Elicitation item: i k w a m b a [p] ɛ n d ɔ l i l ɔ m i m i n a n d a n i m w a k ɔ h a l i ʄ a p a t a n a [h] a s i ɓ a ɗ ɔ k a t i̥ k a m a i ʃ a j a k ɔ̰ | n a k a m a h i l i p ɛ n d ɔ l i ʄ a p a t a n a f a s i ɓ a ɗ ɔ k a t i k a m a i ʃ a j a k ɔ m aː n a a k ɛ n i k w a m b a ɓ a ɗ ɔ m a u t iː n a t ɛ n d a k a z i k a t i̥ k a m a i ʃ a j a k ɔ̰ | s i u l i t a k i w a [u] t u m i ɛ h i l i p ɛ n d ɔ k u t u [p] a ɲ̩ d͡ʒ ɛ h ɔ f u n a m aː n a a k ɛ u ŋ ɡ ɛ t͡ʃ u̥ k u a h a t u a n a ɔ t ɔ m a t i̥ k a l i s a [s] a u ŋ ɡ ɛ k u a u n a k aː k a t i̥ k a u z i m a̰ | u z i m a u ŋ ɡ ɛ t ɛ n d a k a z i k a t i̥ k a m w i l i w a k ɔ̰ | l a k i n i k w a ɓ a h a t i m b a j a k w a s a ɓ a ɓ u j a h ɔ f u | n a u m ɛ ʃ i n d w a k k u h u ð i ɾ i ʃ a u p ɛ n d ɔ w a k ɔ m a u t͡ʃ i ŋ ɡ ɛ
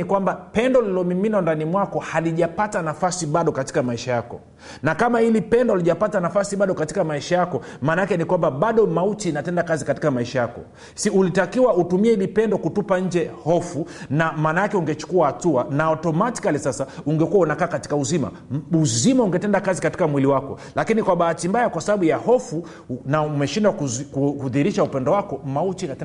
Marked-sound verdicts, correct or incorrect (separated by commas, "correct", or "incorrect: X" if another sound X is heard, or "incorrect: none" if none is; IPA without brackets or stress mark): correct, incorrect: f, correct, correct, correct